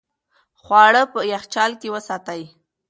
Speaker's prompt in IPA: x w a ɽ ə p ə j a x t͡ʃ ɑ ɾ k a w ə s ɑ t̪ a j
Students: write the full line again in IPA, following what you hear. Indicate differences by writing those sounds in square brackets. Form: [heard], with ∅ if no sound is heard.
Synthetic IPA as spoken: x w [ɑ] ɽ ə p ə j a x t͡ʃ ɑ [l] k [e] w ə s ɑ t̪ a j